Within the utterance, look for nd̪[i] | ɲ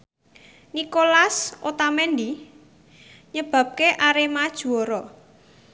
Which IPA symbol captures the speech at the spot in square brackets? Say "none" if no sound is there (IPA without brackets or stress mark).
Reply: i